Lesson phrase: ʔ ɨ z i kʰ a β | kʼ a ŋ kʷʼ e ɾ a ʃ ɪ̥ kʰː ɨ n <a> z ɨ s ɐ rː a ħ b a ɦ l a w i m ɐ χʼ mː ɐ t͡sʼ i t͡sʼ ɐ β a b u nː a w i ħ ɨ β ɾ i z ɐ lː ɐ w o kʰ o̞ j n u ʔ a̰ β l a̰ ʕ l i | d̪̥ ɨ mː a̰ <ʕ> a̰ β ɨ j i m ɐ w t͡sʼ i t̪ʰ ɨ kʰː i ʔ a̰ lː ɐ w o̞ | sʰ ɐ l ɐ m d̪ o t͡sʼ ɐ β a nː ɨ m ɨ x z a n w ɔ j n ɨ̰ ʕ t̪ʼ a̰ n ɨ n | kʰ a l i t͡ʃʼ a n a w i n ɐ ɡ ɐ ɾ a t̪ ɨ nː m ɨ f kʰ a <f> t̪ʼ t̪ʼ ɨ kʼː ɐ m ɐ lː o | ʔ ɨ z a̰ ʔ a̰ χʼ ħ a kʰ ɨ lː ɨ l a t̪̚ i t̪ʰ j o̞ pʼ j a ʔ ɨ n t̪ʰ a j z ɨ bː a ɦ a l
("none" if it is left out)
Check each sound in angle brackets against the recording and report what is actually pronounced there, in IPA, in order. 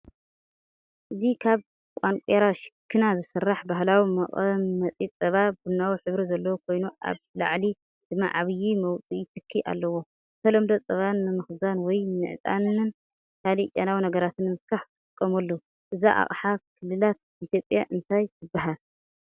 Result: a, ʕ, ħ

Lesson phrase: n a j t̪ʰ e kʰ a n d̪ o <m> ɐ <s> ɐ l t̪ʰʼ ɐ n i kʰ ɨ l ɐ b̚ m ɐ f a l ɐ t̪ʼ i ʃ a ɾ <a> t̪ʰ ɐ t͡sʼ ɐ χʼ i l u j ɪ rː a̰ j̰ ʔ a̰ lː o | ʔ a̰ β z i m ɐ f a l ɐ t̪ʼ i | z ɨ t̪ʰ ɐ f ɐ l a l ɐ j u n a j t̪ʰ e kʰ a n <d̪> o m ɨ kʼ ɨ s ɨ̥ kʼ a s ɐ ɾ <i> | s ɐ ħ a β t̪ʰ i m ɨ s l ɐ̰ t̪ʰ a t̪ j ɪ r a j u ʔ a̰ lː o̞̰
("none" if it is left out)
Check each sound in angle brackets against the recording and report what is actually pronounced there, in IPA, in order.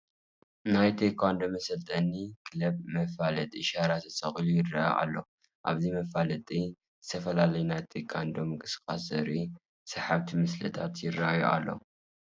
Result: m, s, a, d̪, i

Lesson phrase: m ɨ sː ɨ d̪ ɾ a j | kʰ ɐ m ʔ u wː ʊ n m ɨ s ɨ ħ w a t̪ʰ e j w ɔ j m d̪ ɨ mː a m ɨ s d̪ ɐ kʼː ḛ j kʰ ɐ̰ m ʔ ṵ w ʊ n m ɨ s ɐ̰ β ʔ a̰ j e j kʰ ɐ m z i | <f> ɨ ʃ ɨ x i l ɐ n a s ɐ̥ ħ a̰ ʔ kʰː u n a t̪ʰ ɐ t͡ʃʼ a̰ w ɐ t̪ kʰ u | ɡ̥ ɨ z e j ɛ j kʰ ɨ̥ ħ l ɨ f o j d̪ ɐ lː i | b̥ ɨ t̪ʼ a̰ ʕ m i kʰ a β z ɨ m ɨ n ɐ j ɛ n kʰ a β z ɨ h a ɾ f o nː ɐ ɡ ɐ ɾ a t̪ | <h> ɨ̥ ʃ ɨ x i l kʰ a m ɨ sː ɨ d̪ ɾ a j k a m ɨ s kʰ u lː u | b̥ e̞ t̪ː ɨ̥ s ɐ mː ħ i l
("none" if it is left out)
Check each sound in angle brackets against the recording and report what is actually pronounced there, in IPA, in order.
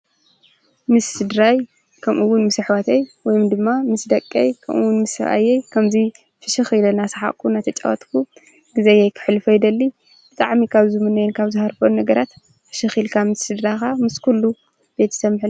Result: f, f

